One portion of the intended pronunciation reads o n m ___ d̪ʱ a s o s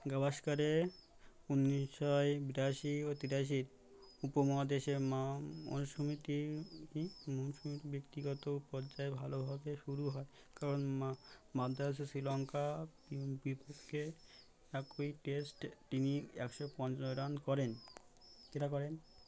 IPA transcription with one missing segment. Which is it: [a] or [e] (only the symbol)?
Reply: a